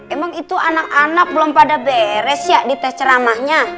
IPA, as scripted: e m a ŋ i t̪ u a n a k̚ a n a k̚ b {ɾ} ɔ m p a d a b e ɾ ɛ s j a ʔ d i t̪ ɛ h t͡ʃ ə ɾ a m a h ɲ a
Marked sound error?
yes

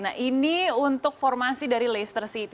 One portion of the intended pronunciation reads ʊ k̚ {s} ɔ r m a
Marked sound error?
yes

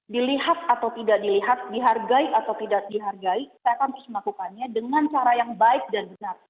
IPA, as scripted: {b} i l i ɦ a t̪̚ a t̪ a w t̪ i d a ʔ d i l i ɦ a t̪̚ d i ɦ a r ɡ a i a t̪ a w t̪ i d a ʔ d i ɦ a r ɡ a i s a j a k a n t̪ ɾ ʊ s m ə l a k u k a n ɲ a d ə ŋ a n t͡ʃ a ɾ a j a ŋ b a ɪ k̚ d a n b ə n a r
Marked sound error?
yes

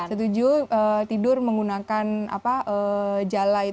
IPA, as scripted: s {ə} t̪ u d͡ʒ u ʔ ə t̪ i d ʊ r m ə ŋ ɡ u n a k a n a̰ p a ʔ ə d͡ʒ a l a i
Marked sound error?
no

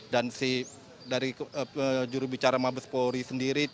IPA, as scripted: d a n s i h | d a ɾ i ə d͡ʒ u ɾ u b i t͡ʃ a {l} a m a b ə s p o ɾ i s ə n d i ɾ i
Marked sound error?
yes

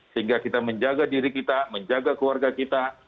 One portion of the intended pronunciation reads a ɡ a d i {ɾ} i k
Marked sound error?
no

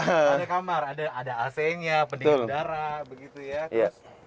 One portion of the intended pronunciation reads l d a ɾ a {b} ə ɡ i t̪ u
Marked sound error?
no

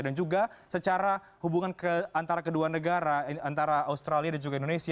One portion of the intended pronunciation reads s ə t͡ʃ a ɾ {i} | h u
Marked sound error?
yes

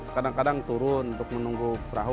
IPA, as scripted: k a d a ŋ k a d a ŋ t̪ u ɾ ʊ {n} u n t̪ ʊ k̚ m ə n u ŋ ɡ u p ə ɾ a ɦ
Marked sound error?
no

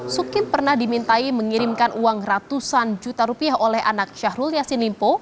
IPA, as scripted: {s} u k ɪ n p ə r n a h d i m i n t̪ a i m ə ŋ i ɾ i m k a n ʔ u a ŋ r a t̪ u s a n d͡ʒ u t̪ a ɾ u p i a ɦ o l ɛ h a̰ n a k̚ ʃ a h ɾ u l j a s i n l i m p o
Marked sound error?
no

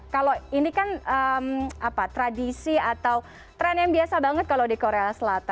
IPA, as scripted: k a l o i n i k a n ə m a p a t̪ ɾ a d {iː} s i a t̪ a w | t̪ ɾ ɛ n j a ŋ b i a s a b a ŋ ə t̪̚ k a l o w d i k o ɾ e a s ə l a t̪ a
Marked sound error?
yes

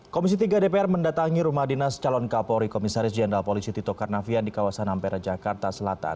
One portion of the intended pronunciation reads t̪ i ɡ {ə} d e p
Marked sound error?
yes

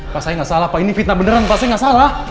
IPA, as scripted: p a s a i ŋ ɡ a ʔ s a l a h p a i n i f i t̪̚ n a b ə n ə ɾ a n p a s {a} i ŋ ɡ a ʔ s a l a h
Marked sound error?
no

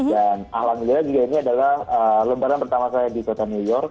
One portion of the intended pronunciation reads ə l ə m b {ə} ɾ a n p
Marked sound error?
yes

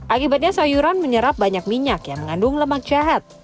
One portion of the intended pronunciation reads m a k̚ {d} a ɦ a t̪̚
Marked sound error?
yes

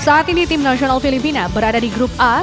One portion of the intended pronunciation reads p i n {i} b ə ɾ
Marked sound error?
yes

